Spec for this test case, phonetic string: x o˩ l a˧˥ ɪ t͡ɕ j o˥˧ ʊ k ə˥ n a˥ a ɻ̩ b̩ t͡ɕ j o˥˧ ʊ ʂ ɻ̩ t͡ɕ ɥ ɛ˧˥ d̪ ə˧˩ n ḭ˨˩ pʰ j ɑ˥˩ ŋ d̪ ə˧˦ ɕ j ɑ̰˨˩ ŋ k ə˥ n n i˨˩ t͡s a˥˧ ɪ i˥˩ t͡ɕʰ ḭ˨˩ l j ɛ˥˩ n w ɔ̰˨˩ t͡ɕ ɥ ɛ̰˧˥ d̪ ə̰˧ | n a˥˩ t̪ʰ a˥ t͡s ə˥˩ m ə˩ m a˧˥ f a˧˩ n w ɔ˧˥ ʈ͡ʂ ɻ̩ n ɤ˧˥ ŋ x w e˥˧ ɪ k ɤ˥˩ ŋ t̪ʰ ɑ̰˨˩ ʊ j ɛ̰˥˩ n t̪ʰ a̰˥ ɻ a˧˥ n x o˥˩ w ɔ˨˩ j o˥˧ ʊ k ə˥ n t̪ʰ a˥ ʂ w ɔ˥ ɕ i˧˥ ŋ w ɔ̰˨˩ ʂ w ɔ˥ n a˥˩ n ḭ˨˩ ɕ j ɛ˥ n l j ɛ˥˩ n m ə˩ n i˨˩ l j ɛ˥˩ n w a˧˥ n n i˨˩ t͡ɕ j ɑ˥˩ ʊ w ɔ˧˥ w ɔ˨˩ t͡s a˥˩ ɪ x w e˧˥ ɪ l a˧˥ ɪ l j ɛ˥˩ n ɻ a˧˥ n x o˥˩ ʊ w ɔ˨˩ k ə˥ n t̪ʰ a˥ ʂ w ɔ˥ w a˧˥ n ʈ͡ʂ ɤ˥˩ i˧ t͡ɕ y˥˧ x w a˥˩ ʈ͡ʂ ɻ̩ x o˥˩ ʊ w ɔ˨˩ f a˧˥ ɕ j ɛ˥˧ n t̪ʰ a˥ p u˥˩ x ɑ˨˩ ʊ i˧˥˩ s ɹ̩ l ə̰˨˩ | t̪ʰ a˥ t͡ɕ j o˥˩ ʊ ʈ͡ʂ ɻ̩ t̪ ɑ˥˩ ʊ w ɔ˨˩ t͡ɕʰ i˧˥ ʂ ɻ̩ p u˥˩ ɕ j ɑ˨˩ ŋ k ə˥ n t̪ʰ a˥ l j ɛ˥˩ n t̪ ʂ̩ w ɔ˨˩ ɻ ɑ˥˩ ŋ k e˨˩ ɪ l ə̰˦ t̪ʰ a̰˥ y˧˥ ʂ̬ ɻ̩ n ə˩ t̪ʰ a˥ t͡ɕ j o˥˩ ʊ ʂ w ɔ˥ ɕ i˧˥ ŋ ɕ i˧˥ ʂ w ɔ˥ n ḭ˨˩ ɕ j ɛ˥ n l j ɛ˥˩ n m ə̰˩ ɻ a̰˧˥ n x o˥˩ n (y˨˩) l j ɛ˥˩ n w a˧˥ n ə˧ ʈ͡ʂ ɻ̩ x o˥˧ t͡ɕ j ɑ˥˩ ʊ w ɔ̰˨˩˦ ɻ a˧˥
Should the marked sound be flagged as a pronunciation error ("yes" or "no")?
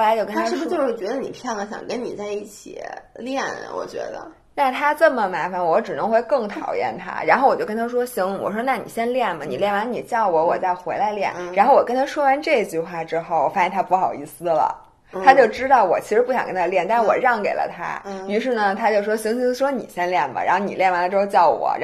yes